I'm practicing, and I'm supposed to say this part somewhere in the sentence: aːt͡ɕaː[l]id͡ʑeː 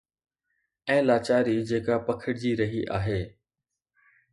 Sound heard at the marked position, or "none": ɾ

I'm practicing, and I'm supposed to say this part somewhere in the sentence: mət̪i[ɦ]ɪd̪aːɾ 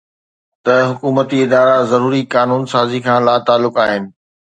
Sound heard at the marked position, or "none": none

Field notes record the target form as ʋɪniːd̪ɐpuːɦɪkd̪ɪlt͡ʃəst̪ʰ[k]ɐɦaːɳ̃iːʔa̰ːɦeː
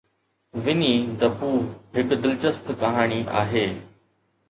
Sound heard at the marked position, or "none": k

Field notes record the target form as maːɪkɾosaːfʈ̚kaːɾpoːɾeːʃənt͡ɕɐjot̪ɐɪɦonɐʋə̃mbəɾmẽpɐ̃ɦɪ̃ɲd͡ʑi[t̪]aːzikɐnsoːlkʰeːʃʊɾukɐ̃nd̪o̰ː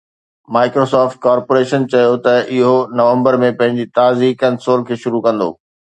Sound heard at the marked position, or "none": t̪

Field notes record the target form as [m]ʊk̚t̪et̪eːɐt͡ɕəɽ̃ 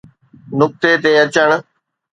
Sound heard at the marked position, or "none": n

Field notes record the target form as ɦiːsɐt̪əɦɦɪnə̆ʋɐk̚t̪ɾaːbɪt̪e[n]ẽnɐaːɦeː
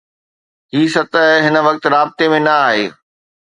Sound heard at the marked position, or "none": m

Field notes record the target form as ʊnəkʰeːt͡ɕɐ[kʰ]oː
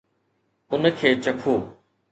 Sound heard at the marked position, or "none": kʰ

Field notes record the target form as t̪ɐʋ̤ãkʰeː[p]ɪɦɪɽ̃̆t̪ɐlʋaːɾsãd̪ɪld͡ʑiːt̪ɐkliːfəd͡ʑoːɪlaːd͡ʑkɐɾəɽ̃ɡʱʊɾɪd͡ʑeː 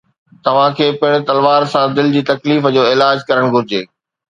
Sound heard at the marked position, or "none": p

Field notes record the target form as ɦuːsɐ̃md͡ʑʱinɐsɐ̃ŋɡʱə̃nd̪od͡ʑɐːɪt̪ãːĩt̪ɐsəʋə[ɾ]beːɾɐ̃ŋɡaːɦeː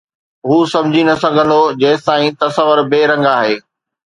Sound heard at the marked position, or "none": ɾ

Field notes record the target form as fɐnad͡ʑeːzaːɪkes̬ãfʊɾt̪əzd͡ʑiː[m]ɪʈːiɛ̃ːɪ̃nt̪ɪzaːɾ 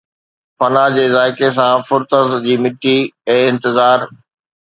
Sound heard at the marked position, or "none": m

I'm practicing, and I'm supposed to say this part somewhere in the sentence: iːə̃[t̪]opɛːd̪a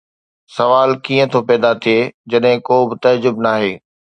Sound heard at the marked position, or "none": t̪ʰ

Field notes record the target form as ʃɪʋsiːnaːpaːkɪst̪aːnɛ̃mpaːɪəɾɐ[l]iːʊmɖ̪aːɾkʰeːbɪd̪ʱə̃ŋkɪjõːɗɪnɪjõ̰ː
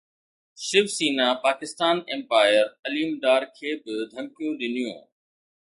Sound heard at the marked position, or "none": l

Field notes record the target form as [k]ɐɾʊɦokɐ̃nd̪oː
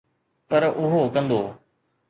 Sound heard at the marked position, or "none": p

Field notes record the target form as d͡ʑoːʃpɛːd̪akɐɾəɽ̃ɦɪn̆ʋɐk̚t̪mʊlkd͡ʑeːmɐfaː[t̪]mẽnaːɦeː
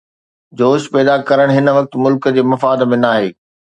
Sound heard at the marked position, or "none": d̪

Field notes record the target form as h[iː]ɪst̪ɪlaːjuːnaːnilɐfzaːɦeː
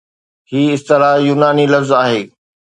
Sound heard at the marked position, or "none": iː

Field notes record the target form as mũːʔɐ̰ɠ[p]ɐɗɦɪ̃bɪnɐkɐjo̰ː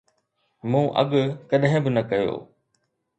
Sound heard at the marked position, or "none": k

